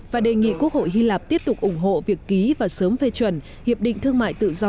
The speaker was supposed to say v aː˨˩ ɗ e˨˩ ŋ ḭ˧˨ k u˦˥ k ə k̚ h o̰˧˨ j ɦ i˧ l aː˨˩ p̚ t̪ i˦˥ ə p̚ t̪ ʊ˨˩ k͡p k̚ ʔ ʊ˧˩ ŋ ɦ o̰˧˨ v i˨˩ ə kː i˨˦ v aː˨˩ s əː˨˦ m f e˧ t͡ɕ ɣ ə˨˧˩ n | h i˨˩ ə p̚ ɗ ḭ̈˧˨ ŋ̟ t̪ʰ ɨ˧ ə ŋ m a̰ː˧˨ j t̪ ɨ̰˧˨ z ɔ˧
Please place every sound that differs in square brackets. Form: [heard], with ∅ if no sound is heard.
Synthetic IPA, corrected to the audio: v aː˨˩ ɗ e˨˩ ŋ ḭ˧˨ k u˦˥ [∅] ə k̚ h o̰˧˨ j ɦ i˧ l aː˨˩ p̚ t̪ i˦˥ ə p̚ t̪ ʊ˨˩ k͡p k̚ ʔ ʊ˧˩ [ŋ͡m] ɦ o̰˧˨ v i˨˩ ə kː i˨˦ v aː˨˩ s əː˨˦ m f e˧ t͡ɕ [w] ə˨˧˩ n | h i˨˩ ə p̚ ɗ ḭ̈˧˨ ŋ̟ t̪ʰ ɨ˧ ə ŋ m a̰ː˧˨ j t̪ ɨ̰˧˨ z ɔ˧